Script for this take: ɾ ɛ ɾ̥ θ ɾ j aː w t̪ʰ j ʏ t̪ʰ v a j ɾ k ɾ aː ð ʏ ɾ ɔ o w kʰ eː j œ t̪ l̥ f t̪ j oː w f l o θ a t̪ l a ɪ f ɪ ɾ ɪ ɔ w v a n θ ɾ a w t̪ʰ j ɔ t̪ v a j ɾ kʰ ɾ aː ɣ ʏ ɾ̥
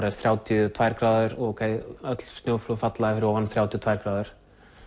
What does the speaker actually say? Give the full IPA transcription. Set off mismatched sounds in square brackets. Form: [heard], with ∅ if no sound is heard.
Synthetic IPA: ɾ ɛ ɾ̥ θ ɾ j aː w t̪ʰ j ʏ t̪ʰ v a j ɾ k ɾ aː ð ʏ ɾ ɔ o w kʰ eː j œ t̪ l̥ [s] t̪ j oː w f l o [f] a t̪ l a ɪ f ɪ ɾ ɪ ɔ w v a n θ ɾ a w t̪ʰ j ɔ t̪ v a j ɾ [k] ɾ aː [ð] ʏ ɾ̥

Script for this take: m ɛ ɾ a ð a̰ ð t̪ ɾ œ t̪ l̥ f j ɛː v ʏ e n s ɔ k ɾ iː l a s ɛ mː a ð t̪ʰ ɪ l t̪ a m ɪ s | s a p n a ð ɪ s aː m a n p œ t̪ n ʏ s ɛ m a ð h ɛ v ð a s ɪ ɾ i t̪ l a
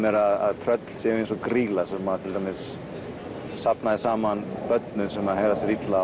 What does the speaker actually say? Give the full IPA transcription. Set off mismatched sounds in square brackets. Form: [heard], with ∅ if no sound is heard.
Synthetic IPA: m ɛ ɾ a ð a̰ ð [t̪ʰ] ɾ œ t̪ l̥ [s] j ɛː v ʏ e n s ɔ k ɾ iː l a s ɛ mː a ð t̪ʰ ɪ l t̪ a m ɪ s | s a p n a ð ɪ s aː m a n p œ t̪ n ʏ s ɛ m a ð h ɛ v ð a s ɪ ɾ i t̪ l a

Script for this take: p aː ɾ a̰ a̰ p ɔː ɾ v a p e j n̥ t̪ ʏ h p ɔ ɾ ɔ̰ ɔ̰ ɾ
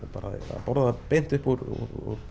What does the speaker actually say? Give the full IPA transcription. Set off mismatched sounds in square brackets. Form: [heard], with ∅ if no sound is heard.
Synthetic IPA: p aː ɾ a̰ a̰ p [ɔ] ɾ [ð] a p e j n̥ t̪ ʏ h p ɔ ɾ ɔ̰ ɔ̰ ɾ

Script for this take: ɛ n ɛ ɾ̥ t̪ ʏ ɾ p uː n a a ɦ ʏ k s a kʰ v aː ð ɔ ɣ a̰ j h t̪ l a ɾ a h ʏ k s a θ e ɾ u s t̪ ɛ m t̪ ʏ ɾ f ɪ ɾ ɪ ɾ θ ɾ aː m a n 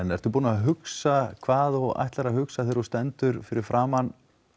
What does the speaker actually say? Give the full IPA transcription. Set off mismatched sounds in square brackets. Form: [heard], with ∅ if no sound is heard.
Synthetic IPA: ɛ n ɛ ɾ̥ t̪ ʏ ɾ p uː n a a ɦ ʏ k s a kʰ v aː ð ɔ ɣ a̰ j h t̪ l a ɾ a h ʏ k s a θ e ɾ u s t̪ ɛ [n] t̪ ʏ ɾ f ɪ ɾ ɪ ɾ [f] ɾ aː m a n

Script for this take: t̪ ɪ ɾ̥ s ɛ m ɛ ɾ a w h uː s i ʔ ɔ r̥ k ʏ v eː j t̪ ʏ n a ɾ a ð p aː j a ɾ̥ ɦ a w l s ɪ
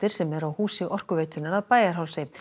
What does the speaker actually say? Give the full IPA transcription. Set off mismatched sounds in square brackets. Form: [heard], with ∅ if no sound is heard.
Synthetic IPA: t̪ ɪ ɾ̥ s ɛ m ɛ ɾ a w h uː s [ɪ] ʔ ɔ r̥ k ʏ v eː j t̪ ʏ n a ɾ a ð p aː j a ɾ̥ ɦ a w l s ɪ

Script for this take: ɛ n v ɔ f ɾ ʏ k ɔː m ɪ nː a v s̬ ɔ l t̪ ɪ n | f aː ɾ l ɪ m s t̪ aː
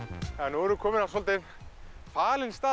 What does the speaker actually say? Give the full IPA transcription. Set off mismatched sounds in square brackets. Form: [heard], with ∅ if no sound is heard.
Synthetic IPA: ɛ n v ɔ [∅] ɾ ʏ [kʰ] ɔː m ɪ [n] a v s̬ ɔ l t̪ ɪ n | f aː [∅] l ɪ [n] s t̪ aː

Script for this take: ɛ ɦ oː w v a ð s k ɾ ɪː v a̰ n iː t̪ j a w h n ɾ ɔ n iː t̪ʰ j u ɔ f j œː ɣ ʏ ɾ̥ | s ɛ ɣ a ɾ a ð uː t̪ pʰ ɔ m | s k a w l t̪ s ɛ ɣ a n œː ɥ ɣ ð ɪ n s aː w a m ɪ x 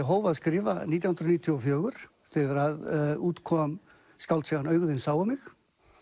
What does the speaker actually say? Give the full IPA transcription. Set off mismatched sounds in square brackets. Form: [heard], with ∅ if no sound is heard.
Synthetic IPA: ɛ ɦ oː w v a ð s k ɾ ɪː v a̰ n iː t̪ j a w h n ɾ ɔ n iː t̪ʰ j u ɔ f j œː ɣ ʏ ɾ̥ | [θ] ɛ ɣ a ɾ a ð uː t̪ [kʰ] ɔ m | s k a w l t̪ s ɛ ɣ a n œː ɥ ɣ ð ɪ n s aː w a m ɪ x

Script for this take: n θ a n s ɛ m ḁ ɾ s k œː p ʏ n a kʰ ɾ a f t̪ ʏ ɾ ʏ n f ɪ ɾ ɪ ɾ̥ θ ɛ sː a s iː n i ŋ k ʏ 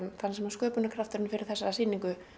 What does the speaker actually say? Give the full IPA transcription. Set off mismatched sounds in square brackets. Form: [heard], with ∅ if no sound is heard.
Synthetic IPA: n θ a n s ɛ m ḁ [∅] s k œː p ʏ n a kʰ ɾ a f t̪ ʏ ɾ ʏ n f ɪ ɾ ɪ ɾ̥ θ ɛ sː a s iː n i ŋ k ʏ

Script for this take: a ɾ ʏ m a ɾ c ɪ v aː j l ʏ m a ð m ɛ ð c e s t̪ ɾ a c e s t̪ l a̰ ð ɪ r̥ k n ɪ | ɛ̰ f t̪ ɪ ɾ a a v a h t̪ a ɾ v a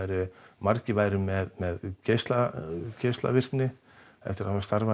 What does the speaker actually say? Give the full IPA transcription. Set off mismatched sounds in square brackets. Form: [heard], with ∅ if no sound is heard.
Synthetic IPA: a ɾ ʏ m a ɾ c ɪ v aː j [ɾ] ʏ m [ɛ] ð m ɛ ð c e s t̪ [l] a c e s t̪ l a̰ [v] ɪ r̥ k n ɪ | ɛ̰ f t̪ ɪ ɾ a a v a [s] t̪ a ɾ v a

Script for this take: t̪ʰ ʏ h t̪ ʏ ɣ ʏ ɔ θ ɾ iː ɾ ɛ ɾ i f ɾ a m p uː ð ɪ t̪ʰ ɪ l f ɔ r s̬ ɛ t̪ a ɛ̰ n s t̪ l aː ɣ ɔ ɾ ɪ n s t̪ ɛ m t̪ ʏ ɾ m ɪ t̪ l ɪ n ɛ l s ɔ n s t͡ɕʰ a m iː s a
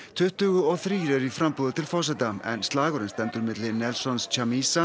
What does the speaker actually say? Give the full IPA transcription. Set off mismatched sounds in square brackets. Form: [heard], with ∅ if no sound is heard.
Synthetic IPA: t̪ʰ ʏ h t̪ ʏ ɣ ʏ ɔ θ ɾ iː ɾ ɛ ɾ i f ɾ a m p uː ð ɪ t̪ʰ ɪ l f ɔ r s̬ ɛ t̪ a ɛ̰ n s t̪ l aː ɣ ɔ ɾ ɪ n s t̪ ɛ m t̪ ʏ ɾ m ɪ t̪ l ɪ n ɛ l s ɔ n s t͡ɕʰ a m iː s a

